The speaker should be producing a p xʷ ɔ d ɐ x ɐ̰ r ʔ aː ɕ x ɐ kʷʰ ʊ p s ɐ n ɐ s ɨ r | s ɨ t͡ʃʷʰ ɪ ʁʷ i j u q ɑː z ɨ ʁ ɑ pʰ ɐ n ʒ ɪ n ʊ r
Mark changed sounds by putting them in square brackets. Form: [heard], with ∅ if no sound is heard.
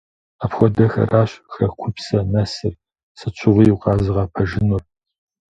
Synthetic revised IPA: a p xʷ ɔ d ɐ x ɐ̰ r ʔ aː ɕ x ɐ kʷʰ ʊ p s ɐ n ɐ s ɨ r | s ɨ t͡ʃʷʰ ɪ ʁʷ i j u q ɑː z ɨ ʁ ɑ pʰ ɐ [∅] ʒ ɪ n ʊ r

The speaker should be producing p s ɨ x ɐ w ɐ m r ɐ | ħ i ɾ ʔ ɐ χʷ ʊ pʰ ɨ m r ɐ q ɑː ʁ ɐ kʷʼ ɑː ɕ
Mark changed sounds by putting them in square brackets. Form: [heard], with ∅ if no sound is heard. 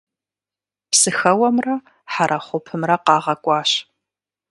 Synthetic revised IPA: p s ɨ x ɐ w ɐ m r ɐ | ħ [a] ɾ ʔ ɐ χʷ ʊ pʰ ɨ m r ɐ q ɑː ʁ ɐ kʷʼ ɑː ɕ

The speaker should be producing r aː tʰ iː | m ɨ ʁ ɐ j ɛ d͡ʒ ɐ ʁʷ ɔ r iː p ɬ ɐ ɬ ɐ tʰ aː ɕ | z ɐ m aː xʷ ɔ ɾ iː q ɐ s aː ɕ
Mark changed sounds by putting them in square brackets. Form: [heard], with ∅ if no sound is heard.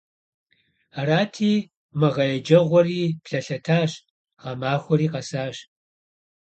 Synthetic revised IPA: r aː tʰ iː | m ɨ ʁ ɐ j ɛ d͡ʒ ɐ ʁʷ ɔ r iː p ɬ ɐ ɬ ɐ tʰ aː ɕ | [ʁ] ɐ m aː xʷ ɔ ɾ iː q ɐ s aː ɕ

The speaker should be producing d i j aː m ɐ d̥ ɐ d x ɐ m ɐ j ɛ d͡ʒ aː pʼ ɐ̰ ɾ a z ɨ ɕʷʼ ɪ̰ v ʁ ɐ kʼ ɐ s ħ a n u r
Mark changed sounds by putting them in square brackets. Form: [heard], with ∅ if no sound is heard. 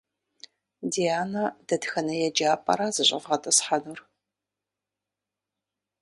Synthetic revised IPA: d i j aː [n] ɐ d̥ ɐ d x ɐ [n] ɐ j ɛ d͡ʒ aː pʼ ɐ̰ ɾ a z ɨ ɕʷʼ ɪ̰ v ʁ ɐ [tʼ] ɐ s ħ a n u r

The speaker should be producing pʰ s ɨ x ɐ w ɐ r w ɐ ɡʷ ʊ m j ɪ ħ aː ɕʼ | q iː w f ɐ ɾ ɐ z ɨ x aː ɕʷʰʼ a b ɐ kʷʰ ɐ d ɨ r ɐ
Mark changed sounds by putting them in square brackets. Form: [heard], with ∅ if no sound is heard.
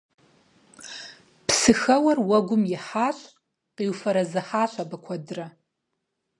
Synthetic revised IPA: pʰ s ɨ x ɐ w ɐ r w ɐ ɡʷ ʊ m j ɪ ħ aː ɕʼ | q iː w f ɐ ɾ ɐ z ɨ [ħ] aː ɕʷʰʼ a b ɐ kʷʰ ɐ d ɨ r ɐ

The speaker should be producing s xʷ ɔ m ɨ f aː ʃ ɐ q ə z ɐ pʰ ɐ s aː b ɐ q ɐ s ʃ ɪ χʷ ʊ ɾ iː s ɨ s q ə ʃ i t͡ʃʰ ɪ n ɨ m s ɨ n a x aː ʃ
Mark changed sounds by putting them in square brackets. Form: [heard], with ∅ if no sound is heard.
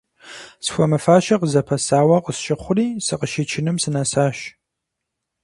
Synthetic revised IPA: s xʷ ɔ m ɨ f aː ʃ ɐ q ə z ɐ pʰ ɐ s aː [w] ɐ q [ə] s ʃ ɪ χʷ ʊ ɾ iː s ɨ [∅] q ə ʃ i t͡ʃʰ ɪ n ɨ m s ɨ n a [s] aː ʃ

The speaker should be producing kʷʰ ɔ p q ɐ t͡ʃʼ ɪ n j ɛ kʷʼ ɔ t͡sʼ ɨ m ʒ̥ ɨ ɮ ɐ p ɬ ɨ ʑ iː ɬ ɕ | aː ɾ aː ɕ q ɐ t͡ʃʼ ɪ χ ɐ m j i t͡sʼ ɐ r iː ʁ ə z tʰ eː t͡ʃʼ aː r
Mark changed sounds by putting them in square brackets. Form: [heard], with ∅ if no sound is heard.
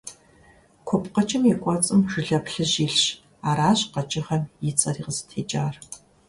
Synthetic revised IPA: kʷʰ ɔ p q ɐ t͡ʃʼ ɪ [m] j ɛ kʷʼ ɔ t͡sʼ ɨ m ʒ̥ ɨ ɮ ɐ p ɬ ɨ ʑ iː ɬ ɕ | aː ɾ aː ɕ q ɐ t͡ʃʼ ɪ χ ɐ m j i t͡sʼ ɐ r iː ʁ ə z tʰ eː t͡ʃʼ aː r

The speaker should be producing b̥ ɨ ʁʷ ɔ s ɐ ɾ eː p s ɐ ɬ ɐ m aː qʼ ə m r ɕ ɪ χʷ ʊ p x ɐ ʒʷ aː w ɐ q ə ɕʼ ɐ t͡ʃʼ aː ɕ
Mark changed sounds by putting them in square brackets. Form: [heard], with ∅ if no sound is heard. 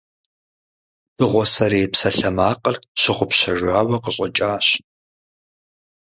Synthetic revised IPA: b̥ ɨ ʁʷ ɔ s ɐ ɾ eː p s ɐ ɬ ɐ m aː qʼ ə [∅] r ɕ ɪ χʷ ʊ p [ɕ] ɐ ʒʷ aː w ɐ q ə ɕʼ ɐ t͡ʃʼ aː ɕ

